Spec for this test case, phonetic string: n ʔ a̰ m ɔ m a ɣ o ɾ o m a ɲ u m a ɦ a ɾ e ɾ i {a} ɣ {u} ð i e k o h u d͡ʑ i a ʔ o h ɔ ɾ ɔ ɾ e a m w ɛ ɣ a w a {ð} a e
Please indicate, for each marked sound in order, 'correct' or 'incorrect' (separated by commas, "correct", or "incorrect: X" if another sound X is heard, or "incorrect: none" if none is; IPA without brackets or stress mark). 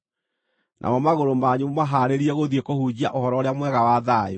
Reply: incorrect: ɛ, incorrect: o, correct